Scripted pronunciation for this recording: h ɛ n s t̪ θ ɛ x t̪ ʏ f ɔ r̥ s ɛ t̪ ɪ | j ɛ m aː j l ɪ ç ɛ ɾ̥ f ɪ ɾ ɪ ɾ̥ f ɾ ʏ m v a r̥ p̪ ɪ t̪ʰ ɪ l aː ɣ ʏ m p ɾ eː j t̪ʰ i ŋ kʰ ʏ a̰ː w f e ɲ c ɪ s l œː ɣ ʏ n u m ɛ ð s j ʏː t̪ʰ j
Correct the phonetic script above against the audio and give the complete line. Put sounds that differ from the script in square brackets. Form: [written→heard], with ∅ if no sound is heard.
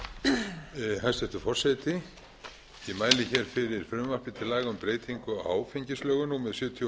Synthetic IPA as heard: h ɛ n s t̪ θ ɛ [x→h] t̪ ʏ f ɔ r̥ s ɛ t̪ ɪ | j ɛ m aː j l ɪ ç ɛ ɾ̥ f ɪ ɾ ɪ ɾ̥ f ɾ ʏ m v a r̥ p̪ ɪ t̪ʰ ɪ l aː ɣ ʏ m p ɾ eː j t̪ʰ i ŋ [kʰ→k] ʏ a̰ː w f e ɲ c ɪ s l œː ɣ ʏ n u m ɛ ð s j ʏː t̪ʰ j